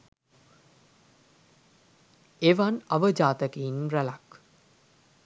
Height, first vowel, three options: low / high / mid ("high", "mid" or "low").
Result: mid